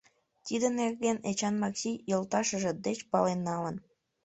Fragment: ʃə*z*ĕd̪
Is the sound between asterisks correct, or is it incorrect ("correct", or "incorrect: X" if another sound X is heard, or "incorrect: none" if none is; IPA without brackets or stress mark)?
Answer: incorrect: ʒ